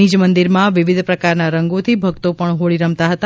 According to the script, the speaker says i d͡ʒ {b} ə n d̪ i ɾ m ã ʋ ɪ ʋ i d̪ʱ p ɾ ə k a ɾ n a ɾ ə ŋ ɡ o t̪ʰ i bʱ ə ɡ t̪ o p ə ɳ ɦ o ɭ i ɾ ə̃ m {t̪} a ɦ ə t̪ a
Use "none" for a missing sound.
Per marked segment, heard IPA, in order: m, t̪

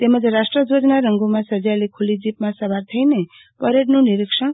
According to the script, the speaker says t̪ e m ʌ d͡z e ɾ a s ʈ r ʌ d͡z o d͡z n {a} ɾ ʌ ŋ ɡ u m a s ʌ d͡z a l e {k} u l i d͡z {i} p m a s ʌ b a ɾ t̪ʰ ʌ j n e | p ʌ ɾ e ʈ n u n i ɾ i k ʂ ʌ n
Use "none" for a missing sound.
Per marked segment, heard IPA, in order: a, kʰ, i

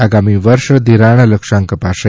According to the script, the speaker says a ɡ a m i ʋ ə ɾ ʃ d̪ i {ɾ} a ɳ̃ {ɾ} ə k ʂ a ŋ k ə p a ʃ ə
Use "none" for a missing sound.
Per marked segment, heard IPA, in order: ɾ, l

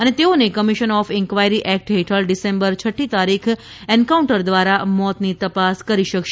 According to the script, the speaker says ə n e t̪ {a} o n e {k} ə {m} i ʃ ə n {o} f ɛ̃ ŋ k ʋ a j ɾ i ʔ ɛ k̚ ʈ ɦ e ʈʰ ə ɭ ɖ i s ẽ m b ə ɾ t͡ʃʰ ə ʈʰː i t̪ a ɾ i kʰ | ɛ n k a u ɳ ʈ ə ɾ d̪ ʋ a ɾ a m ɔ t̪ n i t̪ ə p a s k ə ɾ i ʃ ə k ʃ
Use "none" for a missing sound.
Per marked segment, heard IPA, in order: e, k, m, ɔ

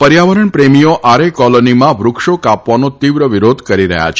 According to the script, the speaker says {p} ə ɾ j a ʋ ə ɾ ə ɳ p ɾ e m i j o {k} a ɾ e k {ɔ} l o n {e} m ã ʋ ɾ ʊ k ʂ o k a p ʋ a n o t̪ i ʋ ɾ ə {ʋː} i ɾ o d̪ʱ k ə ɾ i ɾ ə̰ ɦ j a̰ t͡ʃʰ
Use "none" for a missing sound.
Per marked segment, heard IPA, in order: p, ʔ, ɔ, i, ʋ

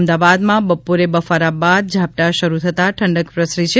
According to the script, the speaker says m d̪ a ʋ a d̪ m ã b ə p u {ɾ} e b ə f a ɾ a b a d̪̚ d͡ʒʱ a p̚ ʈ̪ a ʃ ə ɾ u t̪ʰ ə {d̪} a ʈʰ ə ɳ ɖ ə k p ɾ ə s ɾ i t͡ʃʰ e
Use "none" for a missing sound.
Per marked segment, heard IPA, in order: ɾ, t̪

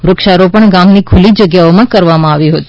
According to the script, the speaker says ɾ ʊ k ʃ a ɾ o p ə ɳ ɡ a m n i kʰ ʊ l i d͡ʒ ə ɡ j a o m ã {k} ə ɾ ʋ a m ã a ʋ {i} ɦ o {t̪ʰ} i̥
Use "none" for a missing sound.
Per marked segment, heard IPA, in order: k, i, t̪

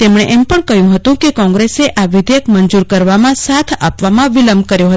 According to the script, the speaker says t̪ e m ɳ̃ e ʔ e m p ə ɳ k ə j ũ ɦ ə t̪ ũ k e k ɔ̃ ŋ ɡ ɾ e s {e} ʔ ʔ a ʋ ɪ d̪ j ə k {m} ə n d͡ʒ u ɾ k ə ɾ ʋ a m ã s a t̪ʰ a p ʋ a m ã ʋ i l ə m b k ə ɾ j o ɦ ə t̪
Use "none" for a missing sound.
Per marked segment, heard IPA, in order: e, m

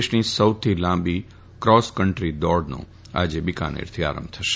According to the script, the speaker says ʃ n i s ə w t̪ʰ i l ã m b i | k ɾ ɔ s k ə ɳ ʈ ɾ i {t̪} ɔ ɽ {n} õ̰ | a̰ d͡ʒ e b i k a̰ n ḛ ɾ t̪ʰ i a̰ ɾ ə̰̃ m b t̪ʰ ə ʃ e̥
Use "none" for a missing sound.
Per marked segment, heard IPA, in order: d̪, n

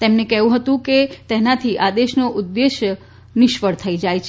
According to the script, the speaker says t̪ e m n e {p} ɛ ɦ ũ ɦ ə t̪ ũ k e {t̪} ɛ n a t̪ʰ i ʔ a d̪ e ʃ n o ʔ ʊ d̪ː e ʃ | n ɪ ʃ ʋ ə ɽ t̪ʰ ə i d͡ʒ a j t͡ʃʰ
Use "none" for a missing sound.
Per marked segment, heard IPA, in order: k, t̪

